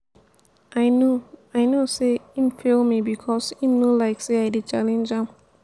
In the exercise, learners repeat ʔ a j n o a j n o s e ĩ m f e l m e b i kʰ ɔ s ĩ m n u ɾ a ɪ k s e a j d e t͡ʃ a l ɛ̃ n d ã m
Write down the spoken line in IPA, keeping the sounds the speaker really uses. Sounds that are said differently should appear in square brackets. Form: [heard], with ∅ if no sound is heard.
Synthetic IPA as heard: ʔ a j n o a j n o s e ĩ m f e l m [i] b i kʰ ɔ s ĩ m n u [l] a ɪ k s e a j d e t͡ʃ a l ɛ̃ n [d͡ʒ] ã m